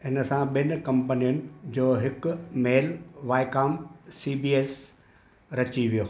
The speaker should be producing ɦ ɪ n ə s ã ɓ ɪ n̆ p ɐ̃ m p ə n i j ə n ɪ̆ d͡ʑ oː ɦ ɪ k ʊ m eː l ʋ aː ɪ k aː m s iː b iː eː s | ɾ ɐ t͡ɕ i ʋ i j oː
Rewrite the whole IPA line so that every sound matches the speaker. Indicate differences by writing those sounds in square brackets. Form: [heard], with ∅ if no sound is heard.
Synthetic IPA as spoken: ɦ ɪ n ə s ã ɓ ɪ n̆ [k] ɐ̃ m p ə n i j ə n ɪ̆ d͡ʑ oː ɦ ɪ k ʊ m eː l ʋ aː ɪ k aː m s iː b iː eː s | ɾ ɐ t͡ɕ i ʋ i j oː